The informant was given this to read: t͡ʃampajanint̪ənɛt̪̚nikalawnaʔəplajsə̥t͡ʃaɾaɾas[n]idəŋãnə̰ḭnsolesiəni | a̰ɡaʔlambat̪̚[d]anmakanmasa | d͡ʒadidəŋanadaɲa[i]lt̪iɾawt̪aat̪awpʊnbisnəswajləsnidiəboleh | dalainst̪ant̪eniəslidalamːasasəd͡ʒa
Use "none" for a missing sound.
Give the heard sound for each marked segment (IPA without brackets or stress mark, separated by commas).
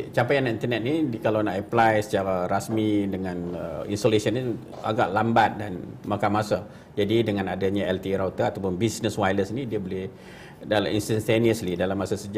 m, d, ɛ